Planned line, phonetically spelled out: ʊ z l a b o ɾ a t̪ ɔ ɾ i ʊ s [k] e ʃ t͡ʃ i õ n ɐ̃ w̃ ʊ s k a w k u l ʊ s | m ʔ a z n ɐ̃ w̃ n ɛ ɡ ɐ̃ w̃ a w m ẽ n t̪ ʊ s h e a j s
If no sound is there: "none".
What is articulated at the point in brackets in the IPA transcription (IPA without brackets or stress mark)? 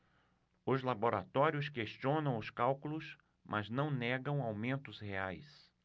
k